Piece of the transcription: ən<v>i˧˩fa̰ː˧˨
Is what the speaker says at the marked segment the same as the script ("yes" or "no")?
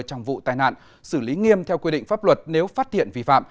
yes